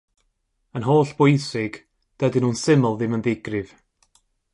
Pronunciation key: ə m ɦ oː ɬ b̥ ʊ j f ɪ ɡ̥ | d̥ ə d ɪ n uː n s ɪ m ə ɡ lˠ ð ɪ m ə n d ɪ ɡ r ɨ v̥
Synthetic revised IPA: ə n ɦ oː ɬ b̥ ʊ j s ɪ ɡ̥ | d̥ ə d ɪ n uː n s ɪ m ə lˠ ð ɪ m ə n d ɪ ɡ r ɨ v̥